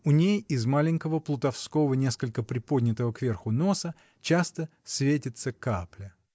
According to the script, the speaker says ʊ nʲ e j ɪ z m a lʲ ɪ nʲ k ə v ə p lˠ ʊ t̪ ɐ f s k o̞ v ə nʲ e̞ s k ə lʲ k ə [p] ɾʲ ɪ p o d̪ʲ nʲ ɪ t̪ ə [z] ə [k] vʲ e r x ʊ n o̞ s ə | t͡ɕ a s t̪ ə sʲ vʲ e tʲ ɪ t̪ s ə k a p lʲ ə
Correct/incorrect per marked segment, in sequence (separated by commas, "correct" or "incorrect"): correct, incorrect, correct